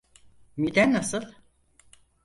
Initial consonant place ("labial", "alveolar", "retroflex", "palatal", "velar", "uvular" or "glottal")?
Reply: labial